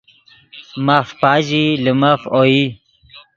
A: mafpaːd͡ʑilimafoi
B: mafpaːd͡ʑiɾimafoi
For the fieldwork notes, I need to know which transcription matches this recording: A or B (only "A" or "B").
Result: A